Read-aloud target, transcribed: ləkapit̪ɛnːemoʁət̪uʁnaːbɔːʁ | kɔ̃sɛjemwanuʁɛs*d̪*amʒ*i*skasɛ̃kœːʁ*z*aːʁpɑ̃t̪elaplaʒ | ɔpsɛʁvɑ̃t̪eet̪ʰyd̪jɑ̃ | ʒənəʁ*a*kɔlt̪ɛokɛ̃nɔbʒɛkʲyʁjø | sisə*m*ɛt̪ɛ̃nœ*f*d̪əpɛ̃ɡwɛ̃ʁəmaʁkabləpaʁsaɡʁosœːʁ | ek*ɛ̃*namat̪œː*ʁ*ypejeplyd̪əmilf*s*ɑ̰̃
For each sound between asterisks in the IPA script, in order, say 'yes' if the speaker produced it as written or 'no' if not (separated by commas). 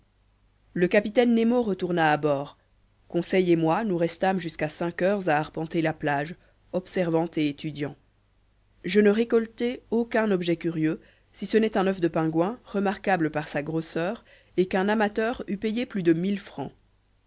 no, no, yes, no, no, yes, yes, yes, no